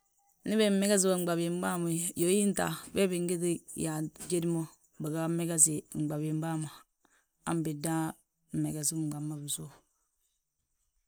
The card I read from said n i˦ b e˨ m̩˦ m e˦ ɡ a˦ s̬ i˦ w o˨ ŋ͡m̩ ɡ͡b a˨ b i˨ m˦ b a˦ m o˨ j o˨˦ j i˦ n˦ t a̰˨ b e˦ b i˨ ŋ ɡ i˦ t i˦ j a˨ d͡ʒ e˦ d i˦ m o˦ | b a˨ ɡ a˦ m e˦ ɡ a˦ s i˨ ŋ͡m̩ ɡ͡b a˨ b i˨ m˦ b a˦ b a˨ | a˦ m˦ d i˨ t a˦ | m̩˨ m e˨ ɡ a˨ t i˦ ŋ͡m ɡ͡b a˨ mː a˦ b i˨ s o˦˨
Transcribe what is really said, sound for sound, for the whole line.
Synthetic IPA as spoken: n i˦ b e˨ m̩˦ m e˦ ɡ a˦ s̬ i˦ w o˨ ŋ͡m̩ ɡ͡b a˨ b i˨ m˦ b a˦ m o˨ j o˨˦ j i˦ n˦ t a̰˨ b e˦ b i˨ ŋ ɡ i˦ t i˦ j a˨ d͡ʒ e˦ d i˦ m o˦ | b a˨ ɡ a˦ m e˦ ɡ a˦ s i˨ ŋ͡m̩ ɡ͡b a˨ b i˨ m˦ b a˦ m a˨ | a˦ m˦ b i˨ d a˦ | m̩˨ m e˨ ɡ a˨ s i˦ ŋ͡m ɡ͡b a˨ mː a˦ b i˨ s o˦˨

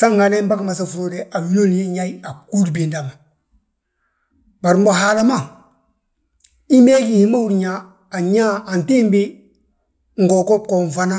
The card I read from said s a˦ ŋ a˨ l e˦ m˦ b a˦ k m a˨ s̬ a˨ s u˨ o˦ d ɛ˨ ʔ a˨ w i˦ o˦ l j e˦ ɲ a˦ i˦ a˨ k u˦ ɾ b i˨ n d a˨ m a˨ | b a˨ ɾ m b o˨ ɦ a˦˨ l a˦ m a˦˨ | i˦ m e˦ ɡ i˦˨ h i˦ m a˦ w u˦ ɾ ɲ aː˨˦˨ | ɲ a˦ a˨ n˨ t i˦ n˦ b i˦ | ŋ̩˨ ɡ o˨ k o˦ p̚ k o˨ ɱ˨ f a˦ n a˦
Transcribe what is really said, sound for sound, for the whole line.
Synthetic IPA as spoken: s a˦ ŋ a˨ l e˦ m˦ b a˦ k m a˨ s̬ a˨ f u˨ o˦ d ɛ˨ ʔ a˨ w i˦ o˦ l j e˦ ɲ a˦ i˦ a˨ k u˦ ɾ b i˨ n d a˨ m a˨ | b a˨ ɾ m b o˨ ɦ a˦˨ l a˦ m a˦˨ | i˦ m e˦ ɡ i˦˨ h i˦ m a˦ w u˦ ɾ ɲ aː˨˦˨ | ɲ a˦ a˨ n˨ t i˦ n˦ b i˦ | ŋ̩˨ ɡ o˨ k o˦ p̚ k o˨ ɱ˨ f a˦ n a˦

